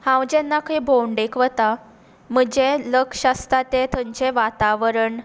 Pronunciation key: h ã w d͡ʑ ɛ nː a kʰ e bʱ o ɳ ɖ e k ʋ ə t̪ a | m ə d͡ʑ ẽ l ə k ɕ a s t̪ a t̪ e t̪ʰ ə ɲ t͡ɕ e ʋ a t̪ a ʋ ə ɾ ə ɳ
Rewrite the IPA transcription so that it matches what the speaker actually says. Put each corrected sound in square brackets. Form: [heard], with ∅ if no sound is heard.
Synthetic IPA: h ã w d͡ʑ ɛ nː a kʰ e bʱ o ɳ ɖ e k ʋ ə t̪ a | m ə d͡ʑ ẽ l ə k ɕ a s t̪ a t̪ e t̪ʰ ə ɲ t͡ɕ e ʋ a t̪ a ʋ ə ɾ ə ɳ